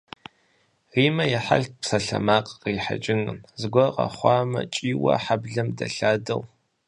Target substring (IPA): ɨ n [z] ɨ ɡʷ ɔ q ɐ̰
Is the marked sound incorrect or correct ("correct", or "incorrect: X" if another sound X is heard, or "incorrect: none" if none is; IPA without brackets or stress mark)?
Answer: correct